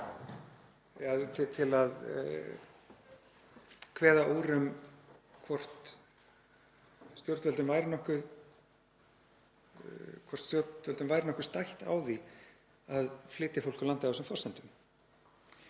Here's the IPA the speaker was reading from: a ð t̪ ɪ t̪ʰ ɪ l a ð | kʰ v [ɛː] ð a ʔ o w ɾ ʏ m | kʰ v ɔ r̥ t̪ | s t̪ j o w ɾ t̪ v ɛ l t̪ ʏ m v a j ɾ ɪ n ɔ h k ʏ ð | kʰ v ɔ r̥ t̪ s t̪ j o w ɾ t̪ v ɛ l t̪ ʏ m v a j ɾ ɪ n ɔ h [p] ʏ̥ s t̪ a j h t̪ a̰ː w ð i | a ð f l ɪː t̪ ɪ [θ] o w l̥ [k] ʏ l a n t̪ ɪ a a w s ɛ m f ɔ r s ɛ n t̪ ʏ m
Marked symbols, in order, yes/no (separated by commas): yes, no, no, yes